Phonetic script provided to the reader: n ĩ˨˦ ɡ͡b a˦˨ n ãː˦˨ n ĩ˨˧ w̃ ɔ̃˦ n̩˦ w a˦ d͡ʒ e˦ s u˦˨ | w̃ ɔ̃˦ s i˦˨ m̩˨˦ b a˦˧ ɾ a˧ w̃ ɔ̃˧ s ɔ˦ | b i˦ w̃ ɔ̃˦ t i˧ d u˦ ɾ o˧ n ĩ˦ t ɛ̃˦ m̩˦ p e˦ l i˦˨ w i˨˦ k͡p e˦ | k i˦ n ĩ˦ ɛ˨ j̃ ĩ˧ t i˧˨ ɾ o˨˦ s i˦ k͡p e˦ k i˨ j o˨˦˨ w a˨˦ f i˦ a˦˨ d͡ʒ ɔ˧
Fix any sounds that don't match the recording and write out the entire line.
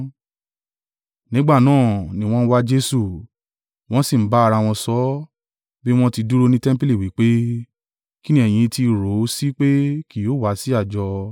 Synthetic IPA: n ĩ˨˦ ɡ͡b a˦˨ n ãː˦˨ n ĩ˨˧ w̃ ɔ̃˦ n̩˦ w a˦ d͡ʒ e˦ s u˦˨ | w̃ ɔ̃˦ s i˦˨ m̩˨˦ b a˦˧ ɾ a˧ w̃ ɔ̃˧ s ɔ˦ | b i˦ w̃ ɔ̃˦ t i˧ d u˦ ɾ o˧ n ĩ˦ t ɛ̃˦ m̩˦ p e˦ l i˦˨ w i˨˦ k͡p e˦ | k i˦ n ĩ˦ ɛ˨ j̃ ĩ˧ t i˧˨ ɾ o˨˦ s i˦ k͡p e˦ k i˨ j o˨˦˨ w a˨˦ s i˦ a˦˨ d͡ʒ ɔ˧